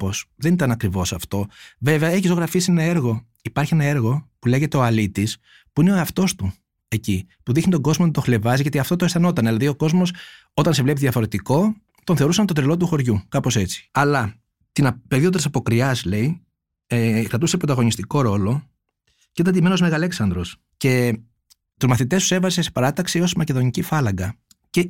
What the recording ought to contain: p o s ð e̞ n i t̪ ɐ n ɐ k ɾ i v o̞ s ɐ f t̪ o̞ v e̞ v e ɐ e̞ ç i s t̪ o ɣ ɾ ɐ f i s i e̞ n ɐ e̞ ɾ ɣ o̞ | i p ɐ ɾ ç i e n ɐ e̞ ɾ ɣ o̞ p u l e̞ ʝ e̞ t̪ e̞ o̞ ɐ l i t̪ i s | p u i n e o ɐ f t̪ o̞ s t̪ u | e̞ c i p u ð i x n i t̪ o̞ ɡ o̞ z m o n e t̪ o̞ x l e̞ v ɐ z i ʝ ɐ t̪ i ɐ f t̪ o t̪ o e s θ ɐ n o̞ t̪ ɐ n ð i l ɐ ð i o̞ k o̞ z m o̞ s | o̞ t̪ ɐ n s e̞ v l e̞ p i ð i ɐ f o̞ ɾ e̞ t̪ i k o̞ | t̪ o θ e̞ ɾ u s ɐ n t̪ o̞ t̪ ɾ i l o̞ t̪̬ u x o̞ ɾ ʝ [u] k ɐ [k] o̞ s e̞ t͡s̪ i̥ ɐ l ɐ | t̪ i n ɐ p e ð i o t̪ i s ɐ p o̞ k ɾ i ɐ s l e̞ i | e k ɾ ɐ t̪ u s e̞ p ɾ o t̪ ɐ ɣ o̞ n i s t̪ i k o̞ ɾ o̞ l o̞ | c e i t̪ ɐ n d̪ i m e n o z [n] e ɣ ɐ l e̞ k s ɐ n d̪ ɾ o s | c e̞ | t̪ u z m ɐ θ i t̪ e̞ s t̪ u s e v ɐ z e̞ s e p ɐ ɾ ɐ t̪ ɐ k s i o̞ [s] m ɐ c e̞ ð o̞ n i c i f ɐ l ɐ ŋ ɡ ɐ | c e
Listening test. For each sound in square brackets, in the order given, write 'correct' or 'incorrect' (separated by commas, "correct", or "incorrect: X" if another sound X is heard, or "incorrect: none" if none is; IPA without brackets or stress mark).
correct, incorrect: p, incorrect: m, correct